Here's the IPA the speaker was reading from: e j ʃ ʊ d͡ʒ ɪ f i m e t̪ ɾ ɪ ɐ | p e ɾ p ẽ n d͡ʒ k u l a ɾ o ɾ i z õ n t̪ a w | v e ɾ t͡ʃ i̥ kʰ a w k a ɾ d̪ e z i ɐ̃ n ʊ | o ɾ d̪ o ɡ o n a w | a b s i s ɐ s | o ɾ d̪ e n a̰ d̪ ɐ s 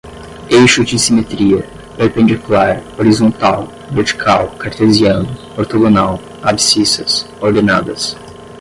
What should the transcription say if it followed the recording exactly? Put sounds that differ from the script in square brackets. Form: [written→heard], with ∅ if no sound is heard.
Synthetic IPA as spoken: e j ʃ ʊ d͡ʒ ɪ [f→s] i m e t̪ ɾ [ɪ→i] ɐ | p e ɾ p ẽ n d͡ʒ k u l a ɾ o ɾ i z õ n t̪ a w | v e ɾ t͡ʃ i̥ kʰ a w k a ɾ [d̪→t̪] e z i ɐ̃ n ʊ | o ɾ [d̪→t̪] o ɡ o n a w | a b s i s ɐ s | o ɾ d̪ e n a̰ d̪ ɐ s